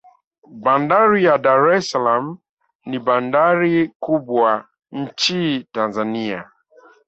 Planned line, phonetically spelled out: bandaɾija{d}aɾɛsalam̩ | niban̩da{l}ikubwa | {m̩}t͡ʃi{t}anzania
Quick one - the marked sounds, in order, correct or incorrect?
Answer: correct, incorrect, incorrect, correct

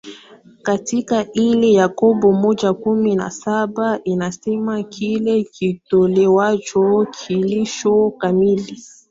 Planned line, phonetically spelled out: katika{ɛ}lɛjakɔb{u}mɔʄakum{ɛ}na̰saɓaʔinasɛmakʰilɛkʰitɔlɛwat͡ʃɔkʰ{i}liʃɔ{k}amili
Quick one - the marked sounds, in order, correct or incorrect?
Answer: incorrect, incorrect, incorrect, correct, correct

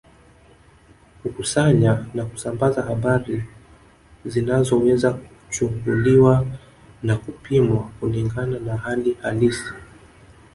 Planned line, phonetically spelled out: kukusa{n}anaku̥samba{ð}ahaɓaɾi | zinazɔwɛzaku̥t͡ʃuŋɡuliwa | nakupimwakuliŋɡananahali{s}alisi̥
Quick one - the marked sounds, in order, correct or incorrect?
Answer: incorrect, incorrect, incorrect

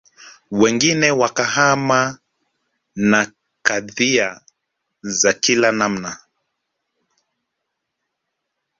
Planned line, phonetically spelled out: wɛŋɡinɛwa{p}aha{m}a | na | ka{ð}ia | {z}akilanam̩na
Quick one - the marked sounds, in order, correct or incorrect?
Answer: incorrect, correct, correct, correct

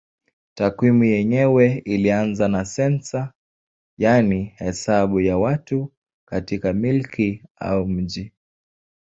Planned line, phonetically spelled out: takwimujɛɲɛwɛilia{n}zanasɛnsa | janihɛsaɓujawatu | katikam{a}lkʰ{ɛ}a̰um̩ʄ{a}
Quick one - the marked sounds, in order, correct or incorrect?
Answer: correct, incorrect, incorrect, incorrect

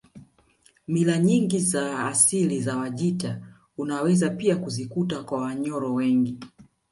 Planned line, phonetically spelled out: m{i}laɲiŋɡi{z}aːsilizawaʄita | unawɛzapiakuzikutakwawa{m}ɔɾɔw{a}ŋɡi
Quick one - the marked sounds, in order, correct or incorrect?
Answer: correct, correct, incorrect, incorrect

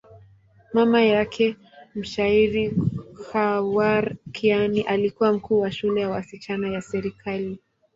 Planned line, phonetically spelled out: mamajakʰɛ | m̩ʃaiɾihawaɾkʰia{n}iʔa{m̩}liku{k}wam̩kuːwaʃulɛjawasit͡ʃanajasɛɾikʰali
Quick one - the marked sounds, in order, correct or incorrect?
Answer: correct, incorrect, incorrect

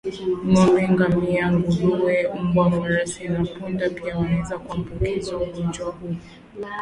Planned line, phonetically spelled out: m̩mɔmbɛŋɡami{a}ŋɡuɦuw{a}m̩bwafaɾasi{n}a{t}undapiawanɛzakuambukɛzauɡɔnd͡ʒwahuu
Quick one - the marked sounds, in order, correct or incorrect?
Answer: correct, incorrect, correct, incorrect

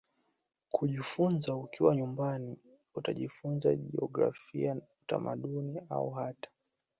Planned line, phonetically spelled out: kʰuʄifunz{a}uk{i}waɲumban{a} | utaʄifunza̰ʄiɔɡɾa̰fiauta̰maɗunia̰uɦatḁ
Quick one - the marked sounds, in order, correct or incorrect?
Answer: correct, correct, incorrect

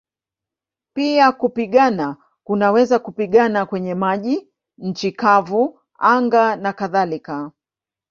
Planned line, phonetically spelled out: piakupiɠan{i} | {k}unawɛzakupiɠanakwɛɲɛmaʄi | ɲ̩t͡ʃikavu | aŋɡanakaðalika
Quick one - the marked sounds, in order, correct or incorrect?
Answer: incorrect, correct

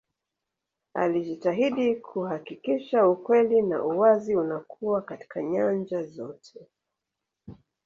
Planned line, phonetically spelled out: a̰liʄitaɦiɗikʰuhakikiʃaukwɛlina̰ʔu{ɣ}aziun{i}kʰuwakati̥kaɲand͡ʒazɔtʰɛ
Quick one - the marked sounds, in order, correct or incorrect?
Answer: incorrect, incorrect

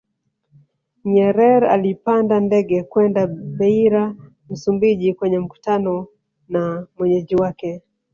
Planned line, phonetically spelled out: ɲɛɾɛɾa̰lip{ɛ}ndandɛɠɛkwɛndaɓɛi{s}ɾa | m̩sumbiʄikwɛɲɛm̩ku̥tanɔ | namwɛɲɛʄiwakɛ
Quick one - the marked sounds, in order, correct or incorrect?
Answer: incorrect, incorrect

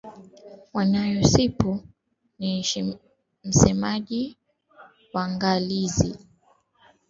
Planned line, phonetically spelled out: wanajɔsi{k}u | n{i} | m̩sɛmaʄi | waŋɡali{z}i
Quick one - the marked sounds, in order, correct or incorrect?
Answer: incorrect, correct, correct

